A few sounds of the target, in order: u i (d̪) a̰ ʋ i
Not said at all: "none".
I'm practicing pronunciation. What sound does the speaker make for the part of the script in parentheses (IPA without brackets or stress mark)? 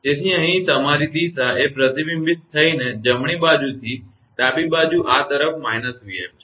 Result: none